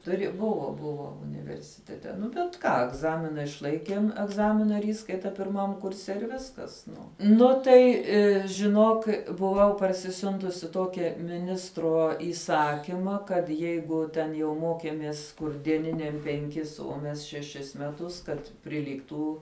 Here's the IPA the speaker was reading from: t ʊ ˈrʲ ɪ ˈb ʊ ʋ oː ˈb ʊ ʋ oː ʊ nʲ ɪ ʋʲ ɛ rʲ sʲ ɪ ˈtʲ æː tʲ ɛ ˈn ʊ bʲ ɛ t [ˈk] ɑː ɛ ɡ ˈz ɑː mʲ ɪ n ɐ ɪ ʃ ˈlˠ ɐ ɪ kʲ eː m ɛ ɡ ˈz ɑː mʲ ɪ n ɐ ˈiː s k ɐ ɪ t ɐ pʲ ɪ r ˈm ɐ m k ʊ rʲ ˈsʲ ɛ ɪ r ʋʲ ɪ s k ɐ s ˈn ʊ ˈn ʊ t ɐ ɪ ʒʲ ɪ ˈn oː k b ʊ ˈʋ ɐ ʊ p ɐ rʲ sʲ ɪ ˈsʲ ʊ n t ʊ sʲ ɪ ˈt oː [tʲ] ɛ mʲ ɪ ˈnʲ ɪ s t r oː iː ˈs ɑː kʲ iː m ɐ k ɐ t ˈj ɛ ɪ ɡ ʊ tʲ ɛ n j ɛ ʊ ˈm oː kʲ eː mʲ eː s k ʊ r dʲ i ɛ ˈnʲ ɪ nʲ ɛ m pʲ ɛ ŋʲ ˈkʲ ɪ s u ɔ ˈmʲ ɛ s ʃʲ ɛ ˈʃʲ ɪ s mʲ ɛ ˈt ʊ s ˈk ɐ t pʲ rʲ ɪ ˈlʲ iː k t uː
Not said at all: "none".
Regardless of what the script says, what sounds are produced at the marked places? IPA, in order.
k, kʲ

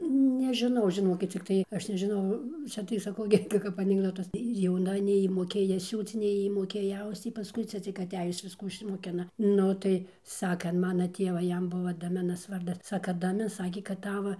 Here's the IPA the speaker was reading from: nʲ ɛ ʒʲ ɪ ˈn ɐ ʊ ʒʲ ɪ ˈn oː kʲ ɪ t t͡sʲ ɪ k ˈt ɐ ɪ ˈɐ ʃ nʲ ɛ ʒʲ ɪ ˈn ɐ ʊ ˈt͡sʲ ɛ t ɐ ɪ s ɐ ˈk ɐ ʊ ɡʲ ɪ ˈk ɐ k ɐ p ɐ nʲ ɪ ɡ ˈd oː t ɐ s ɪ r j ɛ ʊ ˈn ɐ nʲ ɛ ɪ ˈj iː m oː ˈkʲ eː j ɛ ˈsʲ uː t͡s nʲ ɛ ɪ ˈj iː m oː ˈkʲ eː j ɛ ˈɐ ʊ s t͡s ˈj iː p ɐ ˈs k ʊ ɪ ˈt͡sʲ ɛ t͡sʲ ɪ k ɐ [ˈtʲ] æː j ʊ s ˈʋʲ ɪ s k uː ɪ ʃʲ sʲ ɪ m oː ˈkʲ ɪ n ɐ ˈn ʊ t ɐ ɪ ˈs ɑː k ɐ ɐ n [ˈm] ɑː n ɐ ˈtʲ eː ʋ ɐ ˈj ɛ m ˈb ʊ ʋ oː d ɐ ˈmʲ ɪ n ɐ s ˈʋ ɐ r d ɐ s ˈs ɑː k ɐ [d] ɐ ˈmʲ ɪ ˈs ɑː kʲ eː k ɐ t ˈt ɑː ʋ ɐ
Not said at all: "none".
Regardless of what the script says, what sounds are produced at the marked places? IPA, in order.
tʲ, m, d

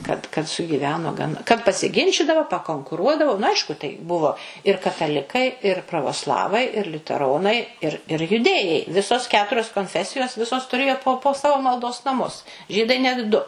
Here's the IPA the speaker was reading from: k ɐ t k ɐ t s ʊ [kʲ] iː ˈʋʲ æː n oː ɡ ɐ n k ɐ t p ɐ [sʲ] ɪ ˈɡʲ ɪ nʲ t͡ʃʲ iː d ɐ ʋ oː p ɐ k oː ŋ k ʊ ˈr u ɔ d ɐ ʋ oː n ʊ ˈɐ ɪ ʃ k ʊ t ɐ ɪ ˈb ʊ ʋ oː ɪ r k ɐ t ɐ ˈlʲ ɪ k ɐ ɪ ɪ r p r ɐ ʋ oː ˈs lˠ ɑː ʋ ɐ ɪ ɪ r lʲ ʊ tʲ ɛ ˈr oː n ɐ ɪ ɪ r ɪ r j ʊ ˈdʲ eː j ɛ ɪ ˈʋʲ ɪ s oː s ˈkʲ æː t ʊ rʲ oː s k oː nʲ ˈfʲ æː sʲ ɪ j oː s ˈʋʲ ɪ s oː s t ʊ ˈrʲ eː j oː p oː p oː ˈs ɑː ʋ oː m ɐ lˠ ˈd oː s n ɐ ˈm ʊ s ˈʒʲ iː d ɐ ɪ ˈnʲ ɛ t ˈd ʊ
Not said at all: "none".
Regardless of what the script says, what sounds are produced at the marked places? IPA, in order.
ɡʲ, sʲ

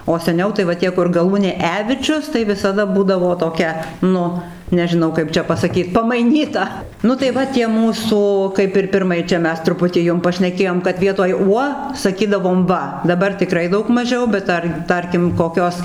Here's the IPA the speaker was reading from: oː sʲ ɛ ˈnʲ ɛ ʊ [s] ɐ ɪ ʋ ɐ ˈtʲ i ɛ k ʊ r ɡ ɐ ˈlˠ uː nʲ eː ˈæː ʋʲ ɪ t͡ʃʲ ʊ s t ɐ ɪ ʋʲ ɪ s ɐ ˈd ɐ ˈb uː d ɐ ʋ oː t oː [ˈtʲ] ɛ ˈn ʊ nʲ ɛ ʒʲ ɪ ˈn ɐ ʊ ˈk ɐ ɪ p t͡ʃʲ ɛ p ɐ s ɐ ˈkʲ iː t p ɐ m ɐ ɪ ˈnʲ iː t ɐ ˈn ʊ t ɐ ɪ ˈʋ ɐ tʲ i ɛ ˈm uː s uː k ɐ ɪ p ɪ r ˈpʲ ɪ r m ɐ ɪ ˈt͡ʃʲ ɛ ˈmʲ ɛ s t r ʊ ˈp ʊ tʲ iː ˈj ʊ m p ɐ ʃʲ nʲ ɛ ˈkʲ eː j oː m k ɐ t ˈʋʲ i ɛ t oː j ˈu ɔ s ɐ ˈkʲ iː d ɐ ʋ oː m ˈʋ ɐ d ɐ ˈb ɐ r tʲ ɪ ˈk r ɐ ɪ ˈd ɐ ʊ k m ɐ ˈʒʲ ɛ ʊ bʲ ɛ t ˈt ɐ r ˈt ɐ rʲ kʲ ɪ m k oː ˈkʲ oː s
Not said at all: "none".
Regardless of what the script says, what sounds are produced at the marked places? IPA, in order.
t, kʲ

